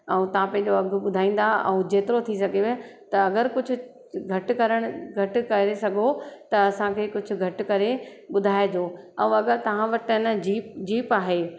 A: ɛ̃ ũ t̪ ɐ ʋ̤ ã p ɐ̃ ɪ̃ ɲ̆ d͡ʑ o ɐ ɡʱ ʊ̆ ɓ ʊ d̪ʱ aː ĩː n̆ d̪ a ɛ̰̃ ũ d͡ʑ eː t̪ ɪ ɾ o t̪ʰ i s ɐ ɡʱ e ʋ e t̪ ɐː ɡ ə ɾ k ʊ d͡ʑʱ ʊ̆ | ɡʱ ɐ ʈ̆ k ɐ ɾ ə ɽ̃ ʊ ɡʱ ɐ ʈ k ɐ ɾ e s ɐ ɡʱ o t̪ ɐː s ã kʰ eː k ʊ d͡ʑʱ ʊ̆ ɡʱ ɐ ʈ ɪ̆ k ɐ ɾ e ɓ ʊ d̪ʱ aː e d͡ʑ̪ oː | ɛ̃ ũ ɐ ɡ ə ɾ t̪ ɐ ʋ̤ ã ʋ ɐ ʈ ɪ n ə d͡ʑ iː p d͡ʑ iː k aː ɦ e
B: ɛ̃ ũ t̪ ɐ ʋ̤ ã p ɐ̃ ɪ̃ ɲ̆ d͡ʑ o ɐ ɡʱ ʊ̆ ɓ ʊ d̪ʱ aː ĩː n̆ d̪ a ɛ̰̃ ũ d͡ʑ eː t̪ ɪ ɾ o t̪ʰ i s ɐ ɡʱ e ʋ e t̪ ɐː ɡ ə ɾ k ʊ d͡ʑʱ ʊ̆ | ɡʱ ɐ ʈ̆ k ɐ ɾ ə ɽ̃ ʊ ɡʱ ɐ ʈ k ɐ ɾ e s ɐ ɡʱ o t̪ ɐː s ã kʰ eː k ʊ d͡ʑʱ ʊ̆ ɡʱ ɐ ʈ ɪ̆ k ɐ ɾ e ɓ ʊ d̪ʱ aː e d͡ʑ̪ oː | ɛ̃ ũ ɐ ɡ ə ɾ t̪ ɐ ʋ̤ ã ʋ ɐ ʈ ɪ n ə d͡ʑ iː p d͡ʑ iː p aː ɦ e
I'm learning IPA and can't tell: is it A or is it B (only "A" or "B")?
B